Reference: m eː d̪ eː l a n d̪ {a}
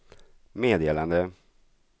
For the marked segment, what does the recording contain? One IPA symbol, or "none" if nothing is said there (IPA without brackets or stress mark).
ə